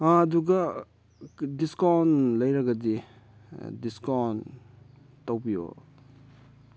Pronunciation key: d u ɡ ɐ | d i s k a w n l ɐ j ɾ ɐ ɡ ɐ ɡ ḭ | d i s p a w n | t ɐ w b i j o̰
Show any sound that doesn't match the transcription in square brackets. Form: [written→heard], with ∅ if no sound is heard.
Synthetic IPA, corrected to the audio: d u ɡ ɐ | d i s k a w n l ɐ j ɾ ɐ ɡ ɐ [ɡ→d] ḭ | d i s [p→k] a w n | t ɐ w b i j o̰